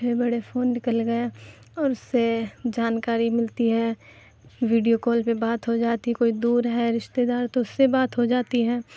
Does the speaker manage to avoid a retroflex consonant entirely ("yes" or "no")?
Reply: no